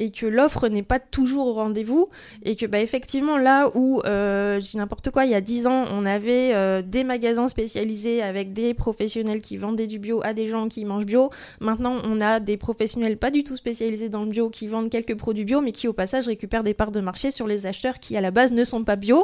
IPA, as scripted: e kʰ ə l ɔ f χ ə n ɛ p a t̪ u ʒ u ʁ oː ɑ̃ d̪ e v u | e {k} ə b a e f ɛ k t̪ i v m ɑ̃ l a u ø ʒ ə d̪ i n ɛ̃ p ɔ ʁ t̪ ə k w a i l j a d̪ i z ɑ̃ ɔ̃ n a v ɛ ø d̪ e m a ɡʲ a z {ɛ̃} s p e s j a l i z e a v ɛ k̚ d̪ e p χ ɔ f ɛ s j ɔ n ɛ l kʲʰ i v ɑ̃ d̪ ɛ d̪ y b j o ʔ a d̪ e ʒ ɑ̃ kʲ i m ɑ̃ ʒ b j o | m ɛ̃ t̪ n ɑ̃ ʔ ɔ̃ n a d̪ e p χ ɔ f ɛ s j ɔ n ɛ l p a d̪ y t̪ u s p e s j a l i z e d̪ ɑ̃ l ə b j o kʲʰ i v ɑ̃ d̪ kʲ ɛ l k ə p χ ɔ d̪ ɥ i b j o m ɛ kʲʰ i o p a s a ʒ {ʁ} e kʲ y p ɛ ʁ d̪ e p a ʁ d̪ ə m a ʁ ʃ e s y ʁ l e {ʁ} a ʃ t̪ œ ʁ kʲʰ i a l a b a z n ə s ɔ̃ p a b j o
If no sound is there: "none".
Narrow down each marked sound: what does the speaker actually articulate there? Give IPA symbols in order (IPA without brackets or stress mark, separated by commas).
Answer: k, ɛ̃, ʁ, z